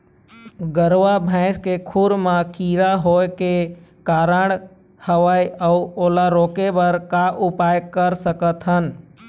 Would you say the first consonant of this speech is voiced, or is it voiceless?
voiced